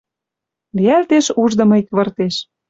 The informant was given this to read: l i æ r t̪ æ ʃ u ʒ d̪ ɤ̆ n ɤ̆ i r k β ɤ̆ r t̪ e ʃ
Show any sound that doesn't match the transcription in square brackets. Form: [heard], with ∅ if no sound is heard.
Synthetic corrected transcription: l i æ [l] t̪ [e] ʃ u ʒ d̪ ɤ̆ [m] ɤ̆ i [∅] k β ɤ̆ r t̪ e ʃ